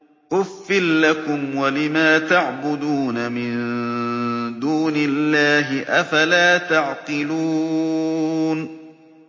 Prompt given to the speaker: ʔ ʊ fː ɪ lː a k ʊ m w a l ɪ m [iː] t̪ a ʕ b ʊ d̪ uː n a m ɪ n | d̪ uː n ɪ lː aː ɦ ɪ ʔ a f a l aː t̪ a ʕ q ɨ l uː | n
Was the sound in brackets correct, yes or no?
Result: no